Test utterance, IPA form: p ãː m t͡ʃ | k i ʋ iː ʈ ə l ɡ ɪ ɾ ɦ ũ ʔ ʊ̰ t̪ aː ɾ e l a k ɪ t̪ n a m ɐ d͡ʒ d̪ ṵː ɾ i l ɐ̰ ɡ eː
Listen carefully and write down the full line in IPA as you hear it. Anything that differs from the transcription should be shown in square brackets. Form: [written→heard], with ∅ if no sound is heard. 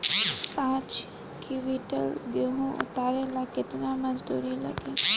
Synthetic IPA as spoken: p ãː [m→∅] t͡ʃ | k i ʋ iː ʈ ə l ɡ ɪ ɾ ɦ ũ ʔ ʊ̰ t̪ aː ɾ e l a k ɪ t̪ n a m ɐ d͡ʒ d̪ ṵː ɾ i l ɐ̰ ɡ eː